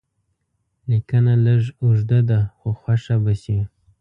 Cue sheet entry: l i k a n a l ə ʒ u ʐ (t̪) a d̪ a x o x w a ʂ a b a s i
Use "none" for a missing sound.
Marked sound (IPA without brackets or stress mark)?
d̪